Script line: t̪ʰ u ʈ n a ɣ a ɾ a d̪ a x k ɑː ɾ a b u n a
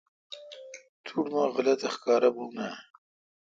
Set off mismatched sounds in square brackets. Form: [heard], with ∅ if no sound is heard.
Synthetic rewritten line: t̪ʰ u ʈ [m] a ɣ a [l] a [t̪] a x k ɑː ɾ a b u n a